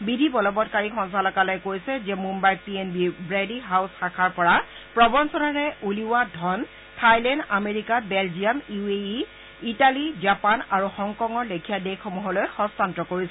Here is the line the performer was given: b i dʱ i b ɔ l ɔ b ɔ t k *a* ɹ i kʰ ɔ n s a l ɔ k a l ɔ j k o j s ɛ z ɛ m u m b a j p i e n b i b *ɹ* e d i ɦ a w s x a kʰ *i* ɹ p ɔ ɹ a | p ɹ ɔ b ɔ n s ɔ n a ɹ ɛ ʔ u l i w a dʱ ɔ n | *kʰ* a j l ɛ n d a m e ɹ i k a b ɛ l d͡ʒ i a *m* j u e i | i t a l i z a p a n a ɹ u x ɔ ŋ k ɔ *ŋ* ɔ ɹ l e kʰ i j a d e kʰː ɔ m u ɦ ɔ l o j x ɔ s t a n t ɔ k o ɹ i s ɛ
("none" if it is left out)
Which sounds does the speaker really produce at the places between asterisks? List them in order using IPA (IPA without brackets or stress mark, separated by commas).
a, ɹ, a, tʰ, m, ŋ